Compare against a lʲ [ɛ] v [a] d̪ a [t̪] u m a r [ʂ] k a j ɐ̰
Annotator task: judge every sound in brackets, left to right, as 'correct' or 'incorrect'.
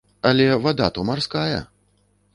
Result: correct, correct, correct, incorrect: s

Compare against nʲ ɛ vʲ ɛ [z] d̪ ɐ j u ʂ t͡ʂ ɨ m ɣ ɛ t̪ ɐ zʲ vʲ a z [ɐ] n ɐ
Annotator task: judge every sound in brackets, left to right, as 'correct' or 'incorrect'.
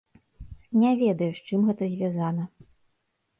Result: incorrect: none, incorrect: a

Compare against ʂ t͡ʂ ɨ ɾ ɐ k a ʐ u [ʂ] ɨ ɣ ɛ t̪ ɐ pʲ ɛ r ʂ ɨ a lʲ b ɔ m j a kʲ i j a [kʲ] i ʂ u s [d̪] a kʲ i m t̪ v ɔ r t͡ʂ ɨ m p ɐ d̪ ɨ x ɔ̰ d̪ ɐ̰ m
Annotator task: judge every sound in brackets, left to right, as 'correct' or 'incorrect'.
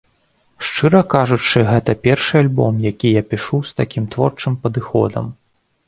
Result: incorrect: t͡ʂ, incorrect: pʲ, incorrect: t̪

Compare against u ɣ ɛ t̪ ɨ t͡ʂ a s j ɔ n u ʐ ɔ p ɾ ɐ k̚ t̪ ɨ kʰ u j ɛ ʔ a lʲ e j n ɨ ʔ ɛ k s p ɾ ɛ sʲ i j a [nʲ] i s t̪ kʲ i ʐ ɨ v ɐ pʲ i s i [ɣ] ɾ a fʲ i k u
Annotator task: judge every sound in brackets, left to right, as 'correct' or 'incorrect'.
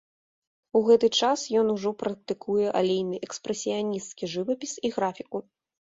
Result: correct, correct

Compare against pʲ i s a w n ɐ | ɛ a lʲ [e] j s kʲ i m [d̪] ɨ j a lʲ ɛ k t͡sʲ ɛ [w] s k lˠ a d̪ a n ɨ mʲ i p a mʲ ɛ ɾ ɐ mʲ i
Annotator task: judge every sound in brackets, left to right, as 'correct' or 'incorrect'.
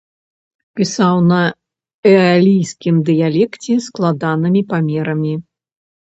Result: incorrect: i, correct, incorrect: none

